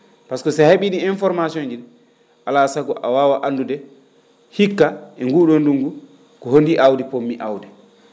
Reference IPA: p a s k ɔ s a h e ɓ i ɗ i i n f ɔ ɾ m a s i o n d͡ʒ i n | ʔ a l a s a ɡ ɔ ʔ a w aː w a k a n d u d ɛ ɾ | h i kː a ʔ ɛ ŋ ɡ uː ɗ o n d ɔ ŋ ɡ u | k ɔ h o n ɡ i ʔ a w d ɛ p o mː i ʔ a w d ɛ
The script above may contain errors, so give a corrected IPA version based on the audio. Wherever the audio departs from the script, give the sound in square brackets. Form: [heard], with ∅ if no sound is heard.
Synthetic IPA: p a s k ɔ s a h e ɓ i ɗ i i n f ɔ ɾ m a s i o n d͡ʒ i n | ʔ a l a s a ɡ ɔ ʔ a w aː w a [ʔ] a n d u d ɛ [∅] | h i kː a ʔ ɛ ŋ ɡ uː ɗ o n d [u] ŋ ɡ u | k ɔ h o n [d] i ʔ a w d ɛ p o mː i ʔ a w d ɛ

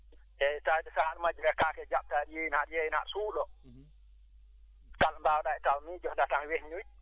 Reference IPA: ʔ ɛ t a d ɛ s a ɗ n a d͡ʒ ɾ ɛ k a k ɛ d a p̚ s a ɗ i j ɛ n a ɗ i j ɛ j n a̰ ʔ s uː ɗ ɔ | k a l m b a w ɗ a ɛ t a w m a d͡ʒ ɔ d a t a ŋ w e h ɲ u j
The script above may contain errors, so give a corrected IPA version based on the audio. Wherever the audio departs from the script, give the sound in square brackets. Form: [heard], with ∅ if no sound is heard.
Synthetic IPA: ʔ ɛ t a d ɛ s a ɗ [m] a d͡ʒ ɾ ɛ k a k ɛ [d͡ʒ] a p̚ [t] a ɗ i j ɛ n a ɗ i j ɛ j n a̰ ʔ s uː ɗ ɔ | k a l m b a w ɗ a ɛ t a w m [i] d͡ʒ ɔ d a t a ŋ w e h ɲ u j

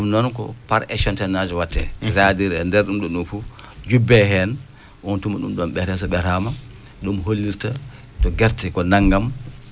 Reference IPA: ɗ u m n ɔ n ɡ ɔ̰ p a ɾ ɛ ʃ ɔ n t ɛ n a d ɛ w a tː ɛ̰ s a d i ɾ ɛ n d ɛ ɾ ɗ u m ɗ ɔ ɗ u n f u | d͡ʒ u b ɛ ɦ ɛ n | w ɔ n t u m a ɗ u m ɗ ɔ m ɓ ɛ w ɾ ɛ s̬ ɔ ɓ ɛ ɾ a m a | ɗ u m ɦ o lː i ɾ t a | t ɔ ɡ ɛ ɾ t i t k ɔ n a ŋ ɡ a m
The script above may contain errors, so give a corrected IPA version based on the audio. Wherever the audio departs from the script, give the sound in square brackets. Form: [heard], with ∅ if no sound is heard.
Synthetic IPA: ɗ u m n ɔ n [k] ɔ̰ p a ɾ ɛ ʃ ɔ n t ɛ n a [d͡ʒ] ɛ w a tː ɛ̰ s a d i ɾ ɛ n d ɛ ɾ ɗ u m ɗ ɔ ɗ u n f u | d͡ʒ u b ɛ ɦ ɛ n | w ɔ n t u m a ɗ u m ɗ ɔ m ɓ ɛ [∅] ɾ ɛ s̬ ɔ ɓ ɛ ɾ a m a | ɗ u m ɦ o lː i ɾ t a | t ɔ ɡ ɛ ɾ t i [∅] k ɔ n a ŋ ɡ a m

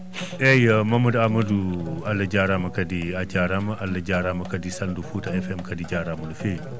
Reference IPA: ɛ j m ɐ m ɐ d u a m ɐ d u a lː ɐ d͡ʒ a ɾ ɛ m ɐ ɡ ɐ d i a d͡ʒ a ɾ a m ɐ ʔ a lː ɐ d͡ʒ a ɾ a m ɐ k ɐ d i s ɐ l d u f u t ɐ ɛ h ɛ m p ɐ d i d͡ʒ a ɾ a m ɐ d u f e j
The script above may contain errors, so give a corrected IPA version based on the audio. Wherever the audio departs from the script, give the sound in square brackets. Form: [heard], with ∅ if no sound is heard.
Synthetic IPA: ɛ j m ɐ m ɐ d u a m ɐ d u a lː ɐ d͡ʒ a ɾ [a] m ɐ [k] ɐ d i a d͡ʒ a ɾ a m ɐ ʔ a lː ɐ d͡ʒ a ɾ a m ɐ k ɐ d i s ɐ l d u f u t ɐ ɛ [f] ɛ m [k] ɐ d i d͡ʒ a ɾ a m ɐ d u f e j

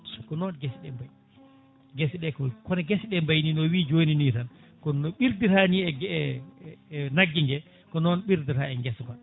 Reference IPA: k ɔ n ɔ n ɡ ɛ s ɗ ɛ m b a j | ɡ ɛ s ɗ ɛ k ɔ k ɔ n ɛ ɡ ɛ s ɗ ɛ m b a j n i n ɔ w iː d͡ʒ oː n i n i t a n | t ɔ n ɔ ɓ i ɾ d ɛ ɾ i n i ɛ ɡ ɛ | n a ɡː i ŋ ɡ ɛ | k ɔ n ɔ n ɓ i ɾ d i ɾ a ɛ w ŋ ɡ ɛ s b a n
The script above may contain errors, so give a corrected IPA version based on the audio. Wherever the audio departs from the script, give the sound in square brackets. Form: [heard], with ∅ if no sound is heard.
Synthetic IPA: k ɔ n ɔ n ɡ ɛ s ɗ ɛ m b a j | ɡ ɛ s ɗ ɛ k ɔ k ɔ n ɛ ɡ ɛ s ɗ ɛ m b a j n i n ɔ w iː d͡ʒ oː n i n i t a n | [k] ɔ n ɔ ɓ i ɾ d [i] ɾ [a] n i ɛ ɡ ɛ | n a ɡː i ŋ ɡ ɛ | k ɔ n ɔ n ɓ i ɾ d i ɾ a ɛ [∅] ŋ ɡ ɛ s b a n

